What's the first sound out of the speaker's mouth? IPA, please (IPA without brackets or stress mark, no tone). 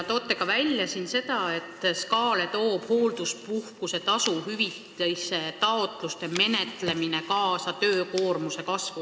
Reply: t̪